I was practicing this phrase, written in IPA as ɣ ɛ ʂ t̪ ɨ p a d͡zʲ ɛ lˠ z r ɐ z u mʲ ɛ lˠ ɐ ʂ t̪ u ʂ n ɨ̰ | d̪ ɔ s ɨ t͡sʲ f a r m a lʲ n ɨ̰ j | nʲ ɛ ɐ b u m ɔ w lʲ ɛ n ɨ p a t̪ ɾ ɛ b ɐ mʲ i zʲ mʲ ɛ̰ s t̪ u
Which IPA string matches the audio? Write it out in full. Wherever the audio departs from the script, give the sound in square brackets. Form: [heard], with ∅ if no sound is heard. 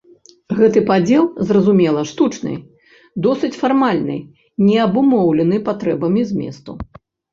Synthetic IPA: ɣ ɛ [∅] t̪ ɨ p a d͡zʲ ɛ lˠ z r ɐ z u mʲ ɛ lˠ ɐ ʂ t̪ u [t͡ʂ] n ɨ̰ | d̪ ɔ s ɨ t͡sʲ f a r m a lʲ n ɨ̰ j | nʲ ɛ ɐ b u m ɔ w lʲ ɛ n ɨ p a t̪ ɾ ɛ b ɐ mʲ i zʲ mʲ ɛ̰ s t̪ u